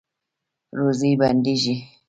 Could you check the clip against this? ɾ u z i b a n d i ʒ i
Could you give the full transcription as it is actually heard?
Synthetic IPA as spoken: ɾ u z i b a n d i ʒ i